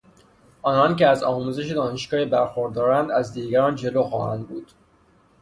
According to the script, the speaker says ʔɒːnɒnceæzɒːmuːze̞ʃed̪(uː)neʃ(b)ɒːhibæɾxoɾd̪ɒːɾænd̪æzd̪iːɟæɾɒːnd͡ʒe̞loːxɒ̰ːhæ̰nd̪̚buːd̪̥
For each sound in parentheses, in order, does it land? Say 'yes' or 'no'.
no, no

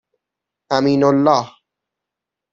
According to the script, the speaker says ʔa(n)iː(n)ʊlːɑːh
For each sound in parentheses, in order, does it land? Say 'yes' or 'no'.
no, yes

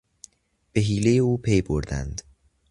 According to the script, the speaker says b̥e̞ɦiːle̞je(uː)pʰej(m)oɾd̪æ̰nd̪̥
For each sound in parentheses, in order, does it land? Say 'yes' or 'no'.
yes, no

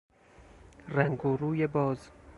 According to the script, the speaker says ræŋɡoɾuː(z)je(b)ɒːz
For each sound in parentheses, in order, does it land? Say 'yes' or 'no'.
no, yes

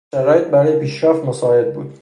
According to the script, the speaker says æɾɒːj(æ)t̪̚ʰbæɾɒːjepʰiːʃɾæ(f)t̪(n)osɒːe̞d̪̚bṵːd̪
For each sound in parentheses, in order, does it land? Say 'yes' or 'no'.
no, yes, no

